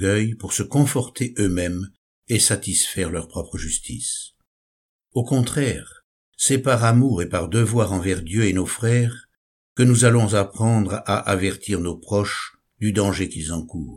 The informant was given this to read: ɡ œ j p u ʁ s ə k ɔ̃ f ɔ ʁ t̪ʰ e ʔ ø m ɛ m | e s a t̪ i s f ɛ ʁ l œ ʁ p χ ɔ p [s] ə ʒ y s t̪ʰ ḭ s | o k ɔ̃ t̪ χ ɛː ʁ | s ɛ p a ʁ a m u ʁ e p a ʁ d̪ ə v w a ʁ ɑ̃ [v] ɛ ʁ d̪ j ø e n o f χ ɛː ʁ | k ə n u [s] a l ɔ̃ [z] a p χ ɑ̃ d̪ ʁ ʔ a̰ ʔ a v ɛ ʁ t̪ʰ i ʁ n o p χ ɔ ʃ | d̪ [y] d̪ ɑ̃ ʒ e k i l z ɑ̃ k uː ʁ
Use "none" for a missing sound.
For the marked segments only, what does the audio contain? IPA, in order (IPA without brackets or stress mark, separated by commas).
χ, v, z, z, y